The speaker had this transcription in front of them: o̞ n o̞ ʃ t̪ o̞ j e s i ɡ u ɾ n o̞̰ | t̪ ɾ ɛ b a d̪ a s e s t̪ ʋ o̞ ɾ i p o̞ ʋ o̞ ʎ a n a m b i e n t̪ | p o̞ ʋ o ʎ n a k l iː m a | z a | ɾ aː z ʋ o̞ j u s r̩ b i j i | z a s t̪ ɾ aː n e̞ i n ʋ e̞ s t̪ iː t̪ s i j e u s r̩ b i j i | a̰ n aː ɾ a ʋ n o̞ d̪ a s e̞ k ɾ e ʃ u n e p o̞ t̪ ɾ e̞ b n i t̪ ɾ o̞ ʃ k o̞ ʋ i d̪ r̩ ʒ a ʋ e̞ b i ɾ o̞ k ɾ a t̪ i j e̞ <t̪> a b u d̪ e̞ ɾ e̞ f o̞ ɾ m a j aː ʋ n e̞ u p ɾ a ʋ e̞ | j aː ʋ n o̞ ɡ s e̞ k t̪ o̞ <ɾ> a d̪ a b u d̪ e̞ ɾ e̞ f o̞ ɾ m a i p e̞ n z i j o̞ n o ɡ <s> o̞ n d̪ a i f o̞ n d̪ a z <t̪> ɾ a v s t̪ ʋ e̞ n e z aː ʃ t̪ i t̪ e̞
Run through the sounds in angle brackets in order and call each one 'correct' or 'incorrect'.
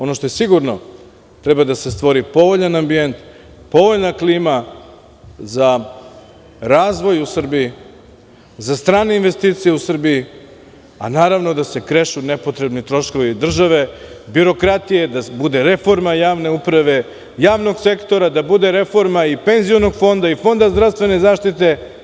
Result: incorrect: d̪, correct, incorrect: f, incorrect: d̪

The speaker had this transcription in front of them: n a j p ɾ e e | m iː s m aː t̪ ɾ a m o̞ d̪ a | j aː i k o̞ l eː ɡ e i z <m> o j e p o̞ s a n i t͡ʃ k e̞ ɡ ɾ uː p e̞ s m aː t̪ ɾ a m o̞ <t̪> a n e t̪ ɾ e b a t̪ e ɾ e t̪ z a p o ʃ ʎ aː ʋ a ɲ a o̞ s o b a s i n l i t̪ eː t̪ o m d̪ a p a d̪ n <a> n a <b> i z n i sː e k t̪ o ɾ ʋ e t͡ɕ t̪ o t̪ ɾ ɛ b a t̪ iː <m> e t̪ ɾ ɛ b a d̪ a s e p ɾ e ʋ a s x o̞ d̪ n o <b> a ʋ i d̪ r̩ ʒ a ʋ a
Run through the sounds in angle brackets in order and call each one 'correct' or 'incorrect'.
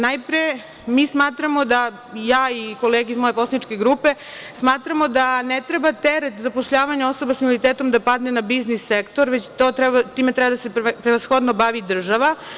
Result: correct, incorrect: d̪, incorrect: e, correct, correct, correct

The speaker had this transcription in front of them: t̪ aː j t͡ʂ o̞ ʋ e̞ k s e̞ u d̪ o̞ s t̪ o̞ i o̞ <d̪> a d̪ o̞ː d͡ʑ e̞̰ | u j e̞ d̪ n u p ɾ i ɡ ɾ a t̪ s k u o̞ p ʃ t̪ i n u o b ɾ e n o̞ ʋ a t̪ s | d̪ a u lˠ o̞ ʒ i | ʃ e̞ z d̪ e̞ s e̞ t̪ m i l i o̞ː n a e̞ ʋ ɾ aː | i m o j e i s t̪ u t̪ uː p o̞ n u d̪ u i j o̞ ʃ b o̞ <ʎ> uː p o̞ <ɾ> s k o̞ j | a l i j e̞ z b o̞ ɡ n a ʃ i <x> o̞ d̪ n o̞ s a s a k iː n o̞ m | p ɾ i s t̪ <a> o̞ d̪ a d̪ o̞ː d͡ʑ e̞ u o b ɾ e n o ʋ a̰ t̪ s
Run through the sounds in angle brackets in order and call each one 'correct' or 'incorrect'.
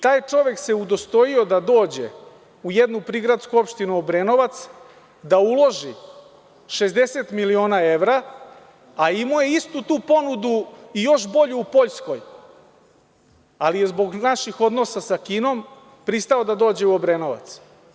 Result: correct, correct, incorrect: ʎ, correct, correct

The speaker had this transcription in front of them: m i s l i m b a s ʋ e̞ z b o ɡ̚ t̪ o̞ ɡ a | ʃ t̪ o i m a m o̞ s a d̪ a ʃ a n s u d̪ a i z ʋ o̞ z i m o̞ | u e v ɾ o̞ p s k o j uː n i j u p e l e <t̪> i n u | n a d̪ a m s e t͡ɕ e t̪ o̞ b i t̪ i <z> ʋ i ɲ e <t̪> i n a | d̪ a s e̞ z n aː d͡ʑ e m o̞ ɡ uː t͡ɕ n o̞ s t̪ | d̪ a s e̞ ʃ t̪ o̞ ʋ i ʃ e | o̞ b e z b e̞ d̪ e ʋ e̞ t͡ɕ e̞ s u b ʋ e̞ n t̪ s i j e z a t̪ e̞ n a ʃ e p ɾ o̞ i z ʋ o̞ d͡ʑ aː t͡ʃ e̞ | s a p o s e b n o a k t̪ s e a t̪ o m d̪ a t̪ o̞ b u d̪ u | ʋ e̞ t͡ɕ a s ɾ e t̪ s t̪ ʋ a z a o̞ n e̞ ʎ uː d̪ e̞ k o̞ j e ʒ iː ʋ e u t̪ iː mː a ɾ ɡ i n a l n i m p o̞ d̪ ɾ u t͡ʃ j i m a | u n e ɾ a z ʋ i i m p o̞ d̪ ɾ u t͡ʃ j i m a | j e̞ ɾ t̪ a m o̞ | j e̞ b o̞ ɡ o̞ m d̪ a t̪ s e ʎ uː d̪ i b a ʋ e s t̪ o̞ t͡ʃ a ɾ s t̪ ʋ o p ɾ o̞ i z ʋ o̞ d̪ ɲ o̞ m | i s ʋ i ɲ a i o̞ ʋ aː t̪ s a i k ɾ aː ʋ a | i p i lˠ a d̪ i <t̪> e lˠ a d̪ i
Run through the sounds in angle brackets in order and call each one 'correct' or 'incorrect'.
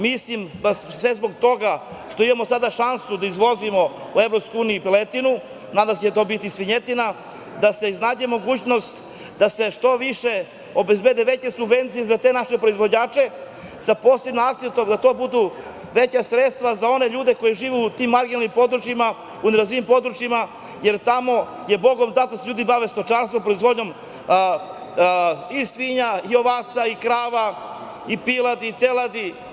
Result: correct, incorrect: s, correct, correct

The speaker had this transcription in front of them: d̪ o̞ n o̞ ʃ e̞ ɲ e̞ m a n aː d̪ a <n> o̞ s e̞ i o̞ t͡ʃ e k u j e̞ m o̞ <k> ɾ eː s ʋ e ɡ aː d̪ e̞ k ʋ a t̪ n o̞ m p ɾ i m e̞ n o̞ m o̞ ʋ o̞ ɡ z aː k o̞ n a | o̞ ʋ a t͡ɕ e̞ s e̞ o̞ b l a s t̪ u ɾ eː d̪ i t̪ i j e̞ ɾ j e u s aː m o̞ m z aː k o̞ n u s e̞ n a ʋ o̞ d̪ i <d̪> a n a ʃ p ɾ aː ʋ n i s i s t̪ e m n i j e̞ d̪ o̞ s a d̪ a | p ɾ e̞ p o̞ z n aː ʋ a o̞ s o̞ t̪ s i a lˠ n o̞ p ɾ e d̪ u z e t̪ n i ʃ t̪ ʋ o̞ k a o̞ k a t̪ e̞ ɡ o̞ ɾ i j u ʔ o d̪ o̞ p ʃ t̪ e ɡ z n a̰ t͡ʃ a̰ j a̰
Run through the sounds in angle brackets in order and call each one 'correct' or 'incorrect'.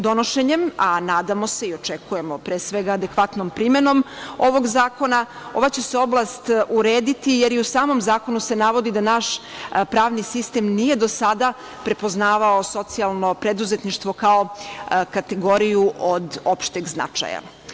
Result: incorrect: m, incorrect: p, correct

